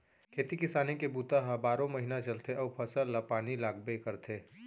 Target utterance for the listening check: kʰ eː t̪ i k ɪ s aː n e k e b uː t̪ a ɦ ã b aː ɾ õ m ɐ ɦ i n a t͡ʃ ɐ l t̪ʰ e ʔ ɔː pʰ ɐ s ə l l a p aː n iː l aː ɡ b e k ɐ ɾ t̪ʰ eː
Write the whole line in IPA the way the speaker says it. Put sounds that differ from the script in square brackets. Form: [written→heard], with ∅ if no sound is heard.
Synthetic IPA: kʰ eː t̪ i k ɪ s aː n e k e b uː t̪ a ɦ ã b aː ɾ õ m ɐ ɦ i n a t͡ʃ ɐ l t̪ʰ e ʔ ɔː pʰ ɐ s ə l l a p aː n [iː→i] l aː ɡ b e k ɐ ɾ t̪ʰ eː